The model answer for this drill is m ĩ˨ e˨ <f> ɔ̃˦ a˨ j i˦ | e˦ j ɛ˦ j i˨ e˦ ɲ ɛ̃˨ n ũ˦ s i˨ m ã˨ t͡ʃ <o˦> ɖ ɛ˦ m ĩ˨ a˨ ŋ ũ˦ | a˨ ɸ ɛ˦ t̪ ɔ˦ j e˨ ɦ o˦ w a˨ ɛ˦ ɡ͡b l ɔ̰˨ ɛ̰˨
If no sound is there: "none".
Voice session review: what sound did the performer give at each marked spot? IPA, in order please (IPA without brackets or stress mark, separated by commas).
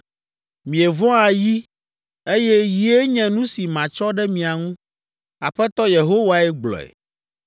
v, ɔ˦